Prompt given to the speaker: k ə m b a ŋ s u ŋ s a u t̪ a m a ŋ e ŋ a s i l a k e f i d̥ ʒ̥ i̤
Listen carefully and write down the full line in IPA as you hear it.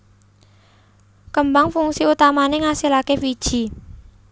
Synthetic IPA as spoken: k ə m b a ŋ f u ŋ s i u t̪ a m a n e ŋ a s i l a k e f i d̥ ʒ̥ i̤